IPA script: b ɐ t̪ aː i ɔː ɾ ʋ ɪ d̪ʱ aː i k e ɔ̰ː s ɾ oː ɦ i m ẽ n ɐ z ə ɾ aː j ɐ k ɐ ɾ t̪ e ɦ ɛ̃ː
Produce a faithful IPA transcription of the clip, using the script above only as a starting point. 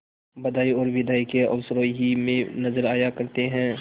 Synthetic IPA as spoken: b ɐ d̪ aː i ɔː ɾ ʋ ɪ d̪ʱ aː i k e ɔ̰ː s ɾ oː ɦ i m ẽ n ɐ z ə ɾ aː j a k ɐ ɾ t̪ e ɦ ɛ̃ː